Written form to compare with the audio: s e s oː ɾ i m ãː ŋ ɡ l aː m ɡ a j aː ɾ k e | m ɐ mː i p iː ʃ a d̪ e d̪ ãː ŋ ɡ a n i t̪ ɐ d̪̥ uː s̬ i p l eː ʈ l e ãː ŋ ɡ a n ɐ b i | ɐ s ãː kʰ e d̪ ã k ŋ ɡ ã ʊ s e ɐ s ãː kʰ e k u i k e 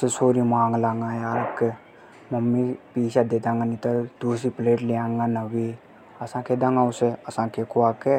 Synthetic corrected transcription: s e s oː ɾ i m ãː ŋ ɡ l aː ŋ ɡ a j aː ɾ k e | m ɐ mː i p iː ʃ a d̪ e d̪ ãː ŋ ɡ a n i t̪ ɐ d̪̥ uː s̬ i p l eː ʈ l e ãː ŋ ɡ a n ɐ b i | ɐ s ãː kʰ e d̪ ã ŋ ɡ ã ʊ s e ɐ s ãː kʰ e k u a k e